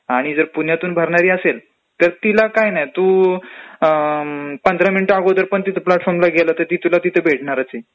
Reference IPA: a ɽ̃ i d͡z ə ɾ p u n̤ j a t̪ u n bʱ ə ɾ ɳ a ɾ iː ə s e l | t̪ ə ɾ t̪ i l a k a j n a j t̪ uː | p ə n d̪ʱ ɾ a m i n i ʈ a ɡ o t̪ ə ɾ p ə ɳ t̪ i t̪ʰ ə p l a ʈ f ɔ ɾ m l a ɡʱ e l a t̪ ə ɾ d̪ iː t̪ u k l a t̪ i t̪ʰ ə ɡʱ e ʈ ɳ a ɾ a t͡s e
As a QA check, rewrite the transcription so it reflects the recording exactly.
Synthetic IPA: a ɽ̃ i d͡z ə ɾ p u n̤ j a t̪ uː n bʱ ə ɾ ɳ a ɾ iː ə s e l | t̪ ə ɾ t̪ i l a k a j n a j t̪ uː | p ə n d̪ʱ ɾ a m i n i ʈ a ɡ o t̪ ə ɾ p ə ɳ t̪ i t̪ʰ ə p l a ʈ f ɔ ɾ m l a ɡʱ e l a t̪ ə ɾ t̪ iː t̪ u l a t̪ i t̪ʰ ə bʱ e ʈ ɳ a ɾ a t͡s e